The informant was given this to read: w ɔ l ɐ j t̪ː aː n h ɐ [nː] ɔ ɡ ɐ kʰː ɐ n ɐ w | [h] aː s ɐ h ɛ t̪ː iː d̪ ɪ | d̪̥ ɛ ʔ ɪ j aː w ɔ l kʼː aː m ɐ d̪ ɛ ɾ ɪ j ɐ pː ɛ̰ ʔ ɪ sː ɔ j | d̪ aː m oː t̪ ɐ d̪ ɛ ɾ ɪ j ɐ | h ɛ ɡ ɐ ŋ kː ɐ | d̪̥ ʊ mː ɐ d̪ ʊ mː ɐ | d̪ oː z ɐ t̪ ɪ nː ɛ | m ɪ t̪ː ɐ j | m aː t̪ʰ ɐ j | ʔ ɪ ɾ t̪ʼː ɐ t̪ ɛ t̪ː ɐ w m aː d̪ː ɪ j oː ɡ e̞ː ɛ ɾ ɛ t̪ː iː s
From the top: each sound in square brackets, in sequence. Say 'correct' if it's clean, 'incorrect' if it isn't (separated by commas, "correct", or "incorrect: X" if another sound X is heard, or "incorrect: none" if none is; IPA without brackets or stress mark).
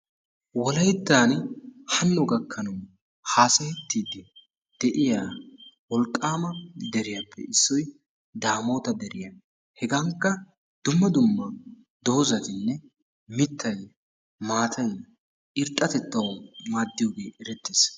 correct, correct